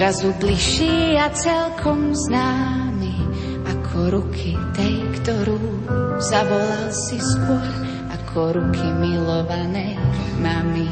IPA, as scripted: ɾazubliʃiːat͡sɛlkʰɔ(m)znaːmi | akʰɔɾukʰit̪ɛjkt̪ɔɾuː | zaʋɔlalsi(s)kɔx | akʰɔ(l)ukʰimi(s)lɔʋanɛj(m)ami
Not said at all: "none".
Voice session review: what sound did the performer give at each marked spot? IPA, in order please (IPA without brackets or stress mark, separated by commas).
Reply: m, s, ɾ, none, m